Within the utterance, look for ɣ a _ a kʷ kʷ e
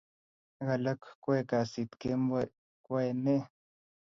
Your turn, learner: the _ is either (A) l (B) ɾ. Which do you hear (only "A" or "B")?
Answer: A